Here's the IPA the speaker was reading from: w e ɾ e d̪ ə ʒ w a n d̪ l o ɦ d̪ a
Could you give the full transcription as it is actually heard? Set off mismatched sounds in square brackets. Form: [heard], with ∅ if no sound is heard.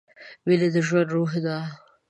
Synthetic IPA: w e [l] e d̪ ə ʒ w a n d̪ [ɾ] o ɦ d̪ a